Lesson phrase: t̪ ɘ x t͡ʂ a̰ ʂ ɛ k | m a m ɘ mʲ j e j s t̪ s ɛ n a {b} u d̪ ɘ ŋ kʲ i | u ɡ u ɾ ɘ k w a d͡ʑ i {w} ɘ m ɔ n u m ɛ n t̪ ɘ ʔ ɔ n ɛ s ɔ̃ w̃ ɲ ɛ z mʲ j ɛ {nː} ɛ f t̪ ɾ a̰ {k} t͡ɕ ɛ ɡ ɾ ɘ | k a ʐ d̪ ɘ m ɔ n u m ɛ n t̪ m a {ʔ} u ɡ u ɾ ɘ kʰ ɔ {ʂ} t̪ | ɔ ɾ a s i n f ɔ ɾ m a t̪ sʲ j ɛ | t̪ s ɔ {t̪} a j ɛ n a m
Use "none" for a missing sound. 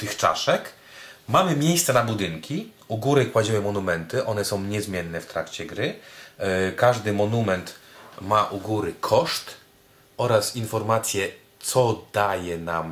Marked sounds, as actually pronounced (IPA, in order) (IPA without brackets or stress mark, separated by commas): b, w, nː, k, ʔ, ʂ, d̪